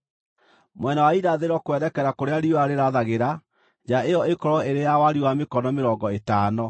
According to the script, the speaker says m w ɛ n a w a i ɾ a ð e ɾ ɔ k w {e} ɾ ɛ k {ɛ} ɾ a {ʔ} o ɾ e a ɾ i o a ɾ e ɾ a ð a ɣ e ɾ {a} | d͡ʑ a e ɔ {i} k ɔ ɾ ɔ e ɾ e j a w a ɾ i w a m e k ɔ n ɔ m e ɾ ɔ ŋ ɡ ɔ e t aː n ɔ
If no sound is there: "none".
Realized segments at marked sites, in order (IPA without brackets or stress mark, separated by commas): ɛ, ɛ, k, a, e